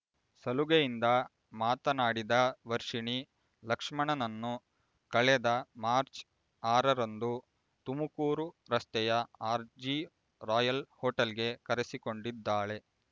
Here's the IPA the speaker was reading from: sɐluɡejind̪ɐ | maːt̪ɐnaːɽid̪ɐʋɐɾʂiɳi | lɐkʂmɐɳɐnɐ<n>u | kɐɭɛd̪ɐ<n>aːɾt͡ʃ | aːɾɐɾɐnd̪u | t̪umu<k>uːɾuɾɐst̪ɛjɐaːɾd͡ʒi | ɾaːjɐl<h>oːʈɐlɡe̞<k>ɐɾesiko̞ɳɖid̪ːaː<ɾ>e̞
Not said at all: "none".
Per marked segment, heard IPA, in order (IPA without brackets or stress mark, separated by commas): nː, m, k, h, k, ɭ